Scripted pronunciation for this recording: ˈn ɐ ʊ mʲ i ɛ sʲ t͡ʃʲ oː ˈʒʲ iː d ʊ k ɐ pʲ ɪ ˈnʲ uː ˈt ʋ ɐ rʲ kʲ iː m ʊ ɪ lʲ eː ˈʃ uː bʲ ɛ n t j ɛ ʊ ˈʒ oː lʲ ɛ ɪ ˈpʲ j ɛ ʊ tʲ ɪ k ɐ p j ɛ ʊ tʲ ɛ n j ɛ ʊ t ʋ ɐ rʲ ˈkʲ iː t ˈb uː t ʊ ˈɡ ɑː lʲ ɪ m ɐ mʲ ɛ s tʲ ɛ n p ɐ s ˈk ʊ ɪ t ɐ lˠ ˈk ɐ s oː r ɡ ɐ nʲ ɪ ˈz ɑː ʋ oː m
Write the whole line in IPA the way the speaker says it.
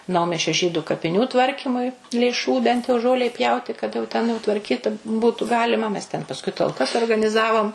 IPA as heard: ˈn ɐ ʊ mʲ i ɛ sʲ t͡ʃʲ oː ˈʒʲ iː d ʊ k ɐ pʲ ɪ ˈnʲ uː ˈt ʋ ɐ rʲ kʲ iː m ʊ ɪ lʲ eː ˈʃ uː bʲ ɛ n t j ɛ ʊ ˈʒ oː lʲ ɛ ɪ ˈpʲ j ɛ ʊ tʲ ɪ k ɐ t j ɛ ʊ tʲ ɛ n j ɛ ʊ t ʋ ɐ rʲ ˈkʲ iː t ˈb uː t ʊ ˈɡ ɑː lʲ ɪ m ɐ mʲ ɛ s tʲ ɛ n p ɐ s ˈk ʊ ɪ t ɐ lˠ ˈk ɐ s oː r ɡ ɐ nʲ ɪ ˈz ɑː ʋ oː m